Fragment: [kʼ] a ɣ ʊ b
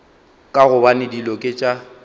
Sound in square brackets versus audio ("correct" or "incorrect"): correct